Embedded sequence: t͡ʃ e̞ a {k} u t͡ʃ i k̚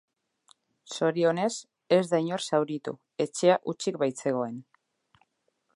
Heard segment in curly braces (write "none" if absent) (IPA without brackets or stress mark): ʔ